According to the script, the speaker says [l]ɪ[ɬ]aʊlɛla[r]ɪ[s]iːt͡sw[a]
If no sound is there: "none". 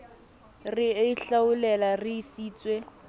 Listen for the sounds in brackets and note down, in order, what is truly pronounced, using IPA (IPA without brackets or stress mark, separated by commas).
r, ɬ, r, s, e